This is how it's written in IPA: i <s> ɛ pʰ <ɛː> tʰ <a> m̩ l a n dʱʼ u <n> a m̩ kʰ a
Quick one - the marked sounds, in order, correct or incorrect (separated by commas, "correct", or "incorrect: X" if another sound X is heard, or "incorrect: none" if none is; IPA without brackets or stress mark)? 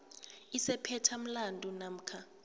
correct, incorrect: ɛ, correct, correct